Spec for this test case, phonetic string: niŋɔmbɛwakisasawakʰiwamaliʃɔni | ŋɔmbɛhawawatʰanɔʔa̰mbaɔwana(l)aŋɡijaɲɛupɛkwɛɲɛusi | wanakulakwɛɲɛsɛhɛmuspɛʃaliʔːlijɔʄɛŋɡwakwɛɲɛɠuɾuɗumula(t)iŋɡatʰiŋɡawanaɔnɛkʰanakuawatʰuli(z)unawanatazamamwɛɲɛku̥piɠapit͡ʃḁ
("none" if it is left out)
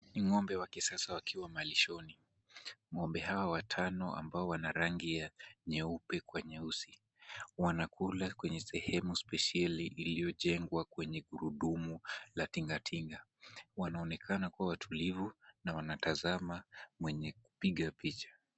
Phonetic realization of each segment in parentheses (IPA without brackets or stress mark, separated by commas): ɾ, t, v